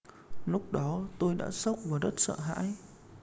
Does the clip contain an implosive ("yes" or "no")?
yes